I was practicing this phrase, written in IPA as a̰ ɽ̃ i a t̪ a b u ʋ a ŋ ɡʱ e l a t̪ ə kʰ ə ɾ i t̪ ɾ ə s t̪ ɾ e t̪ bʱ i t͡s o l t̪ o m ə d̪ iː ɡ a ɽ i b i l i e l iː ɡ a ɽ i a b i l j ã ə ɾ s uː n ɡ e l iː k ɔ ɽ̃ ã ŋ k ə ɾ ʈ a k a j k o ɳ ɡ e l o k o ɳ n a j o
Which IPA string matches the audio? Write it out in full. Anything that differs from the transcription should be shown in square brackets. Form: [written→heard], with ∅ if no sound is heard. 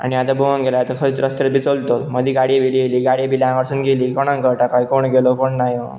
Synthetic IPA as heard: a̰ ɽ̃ i a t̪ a b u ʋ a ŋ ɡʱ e l a t̪ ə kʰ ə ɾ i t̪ ɾ ə s t̪ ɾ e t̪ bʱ i t͡s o l t̪ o m ə d̪ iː ɡ a ɽ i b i l i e l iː ɡ a ɽ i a b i l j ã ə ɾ s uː n ɡ e l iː k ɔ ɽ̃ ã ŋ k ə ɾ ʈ a k a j k o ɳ ɡ e l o k o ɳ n a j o